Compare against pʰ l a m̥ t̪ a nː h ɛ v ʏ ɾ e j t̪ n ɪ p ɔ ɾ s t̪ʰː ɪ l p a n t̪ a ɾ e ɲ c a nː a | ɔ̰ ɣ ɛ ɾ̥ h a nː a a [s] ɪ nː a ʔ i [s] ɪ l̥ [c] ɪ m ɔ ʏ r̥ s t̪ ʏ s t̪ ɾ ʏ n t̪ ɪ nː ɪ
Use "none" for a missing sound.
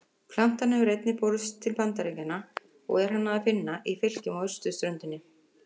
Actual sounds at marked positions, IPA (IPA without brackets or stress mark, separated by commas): f, f, c